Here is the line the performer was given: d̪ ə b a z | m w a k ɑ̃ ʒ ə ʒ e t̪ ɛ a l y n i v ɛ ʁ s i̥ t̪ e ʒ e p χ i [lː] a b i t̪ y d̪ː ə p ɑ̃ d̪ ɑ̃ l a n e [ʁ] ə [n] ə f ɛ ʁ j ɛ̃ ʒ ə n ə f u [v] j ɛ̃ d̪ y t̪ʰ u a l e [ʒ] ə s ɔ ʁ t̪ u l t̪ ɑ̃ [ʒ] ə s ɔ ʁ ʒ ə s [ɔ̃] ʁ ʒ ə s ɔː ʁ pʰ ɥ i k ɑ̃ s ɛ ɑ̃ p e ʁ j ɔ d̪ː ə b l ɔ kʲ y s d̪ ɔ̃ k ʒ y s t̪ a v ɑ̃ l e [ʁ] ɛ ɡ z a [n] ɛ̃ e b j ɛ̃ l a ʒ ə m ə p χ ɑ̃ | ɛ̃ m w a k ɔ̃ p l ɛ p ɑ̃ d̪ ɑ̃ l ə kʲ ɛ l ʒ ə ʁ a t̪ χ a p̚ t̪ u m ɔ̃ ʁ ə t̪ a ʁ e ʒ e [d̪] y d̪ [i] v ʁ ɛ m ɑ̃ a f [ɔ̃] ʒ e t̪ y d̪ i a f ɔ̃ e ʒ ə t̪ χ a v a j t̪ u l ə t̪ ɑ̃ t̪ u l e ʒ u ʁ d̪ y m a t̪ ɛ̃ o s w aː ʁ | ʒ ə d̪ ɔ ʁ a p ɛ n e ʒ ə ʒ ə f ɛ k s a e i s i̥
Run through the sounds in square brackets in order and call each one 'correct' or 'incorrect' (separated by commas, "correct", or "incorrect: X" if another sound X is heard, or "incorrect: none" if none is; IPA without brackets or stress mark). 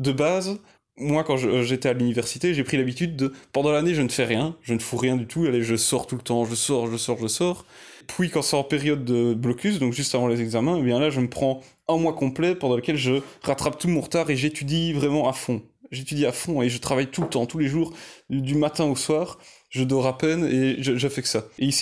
incorrect: l, incorrect: ʒ, correct, incorrect: ʁ, correct, correct, incorrect: ɔ, incorrect: z, incorrect: m, incorrect: t̪, correct, correct